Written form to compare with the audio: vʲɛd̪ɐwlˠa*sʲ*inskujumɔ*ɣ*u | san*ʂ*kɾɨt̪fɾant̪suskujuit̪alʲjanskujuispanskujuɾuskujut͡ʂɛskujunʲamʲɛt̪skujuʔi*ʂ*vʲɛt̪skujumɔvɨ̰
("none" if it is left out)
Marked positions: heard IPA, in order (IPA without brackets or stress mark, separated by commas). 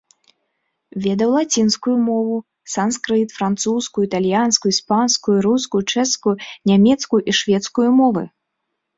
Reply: t͡sʲ, v, s, ʂ